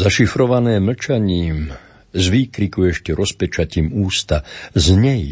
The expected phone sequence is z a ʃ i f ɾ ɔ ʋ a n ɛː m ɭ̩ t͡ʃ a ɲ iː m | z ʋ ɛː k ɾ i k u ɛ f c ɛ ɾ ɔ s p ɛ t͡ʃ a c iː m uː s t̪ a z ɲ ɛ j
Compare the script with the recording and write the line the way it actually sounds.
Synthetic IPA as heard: z a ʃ i f ɾ ɔ ʋ a n ɛː m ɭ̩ t͡ʃ a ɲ iː m | z ʋ iː k ɾ i k u ɛ ʃ c ɛ ɾ ɔ s p ɛ t͡ʃ a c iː m uː s t̪ a z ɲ ɛ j